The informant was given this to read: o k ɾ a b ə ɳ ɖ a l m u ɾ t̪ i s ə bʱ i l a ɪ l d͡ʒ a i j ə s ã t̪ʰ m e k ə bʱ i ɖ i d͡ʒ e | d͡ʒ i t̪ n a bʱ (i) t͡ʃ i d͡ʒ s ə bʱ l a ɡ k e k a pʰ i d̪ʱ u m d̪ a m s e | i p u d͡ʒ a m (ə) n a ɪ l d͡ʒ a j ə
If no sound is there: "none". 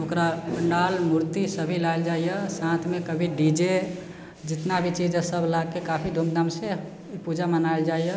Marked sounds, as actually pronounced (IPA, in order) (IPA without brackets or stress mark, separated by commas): i, ə